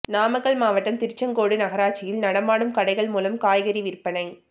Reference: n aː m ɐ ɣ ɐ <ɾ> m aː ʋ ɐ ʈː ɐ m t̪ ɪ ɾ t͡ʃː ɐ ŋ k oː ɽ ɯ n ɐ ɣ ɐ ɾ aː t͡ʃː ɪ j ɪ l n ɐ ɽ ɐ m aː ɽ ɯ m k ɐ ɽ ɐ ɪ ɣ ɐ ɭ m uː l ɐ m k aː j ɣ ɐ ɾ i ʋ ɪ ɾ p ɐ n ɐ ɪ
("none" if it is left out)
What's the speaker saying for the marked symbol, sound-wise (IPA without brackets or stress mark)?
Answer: ɭ